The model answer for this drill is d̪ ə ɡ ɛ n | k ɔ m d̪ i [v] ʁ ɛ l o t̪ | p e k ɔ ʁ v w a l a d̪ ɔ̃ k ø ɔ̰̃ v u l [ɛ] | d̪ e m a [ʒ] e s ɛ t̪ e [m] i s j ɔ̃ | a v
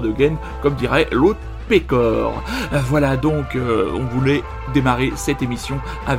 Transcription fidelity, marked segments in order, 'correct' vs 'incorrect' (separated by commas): incorrect, correct, incorrect, correct